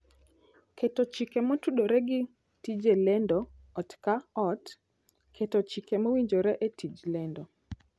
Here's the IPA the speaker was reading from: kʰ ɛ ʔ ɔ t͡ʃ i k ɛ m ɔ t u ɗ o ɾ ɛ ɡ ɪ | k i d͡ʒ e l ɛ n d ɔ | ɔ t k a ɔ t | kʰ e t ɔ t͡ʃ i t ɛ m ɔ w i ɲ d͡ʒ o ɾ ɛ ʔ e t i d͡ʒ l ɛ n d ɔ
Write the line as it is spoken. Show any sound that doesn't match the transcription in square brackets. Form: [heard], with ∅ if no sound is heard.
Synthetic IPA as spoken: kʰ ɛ [t] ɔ t͡ʃ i k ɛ m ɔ t u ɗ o ɾ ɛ ɡ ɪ | [t] i d͡ʒ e l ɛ n d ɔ | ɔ t k a ɔ t | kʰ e t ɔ t͡ʃ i [k] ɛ m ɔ w i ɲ d͡ʒ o ɾ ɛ ʔ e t i d͡ʒ l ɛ n d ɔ